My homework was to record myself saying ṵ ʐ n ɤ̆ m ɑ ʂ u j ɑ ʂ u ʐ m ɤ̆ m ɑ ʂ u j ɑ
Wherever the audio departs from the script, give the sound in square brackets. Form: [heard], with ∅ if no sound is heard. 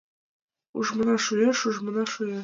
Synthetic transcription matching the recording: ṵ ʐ [m] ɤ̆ [n] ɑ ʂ u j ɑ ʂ u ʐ m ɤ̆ [n] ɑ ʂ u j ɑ